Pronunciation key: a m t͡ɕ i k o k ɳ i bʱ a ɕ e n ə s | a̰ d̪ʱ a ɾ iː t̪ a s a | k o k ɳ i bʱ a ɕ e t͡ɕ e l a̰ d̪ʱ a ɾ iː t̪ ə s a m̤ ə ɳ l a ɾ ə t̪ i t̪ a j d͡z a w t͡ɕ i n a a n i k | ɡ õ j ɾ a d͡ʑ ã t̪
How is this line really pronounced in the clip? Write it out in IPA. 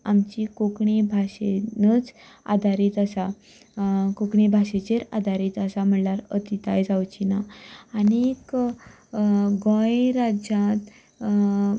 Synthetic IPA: a m t͡ɕ i k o k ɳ i bʱ a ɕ e n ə t͡s | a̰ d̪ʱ a ɾ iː t̪ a s a | k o k ɳ i bʱ a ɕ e t͡ɕ e ɾ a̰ d̪ʱ a ɾ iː t̪ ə s a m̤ ə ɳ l a ɾ ə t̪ i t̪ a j d͡z a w t͡ɕ i n a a n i k | ɡ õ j ɾ a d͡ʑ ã t̪